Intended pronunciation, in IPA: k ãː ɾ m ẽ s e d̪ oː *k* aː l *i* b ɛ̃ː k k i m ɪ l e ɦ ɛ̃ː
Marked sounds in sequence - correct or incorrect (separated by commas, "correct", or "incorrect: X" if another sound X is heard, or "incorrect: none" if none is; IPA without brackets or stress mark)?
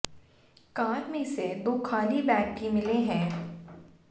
incorrect: kʰ, correct